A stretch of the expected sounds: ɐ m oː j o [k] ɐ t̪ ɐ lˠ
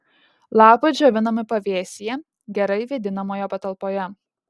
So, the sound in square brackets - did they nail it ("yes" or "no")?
no